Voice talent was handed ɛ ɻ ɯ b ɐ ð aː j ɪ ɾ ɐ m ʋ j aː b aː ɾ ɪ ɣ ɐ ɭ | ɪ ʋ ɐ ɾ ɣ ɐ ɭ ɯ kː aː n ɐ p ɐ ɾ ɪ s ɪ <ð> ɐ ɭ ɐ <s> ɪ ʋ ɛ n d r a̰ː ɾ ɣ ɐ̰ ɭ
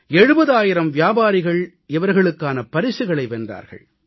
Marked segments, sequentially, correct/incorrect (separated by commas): incorrect, incorrect